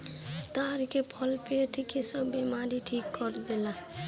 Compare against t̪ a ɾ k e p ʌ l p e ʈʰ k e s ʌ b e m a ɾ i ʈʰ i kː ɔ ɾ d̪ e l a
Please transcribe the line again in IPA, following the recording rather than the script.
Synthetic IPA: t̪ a ɾ k e pʰ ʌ l p e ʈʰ k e s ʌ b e m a ɾ i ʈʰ i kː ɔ ɾ d̪ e l a